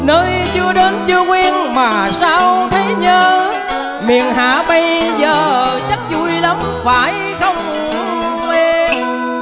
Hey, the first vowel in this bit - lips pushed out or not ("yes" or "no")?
no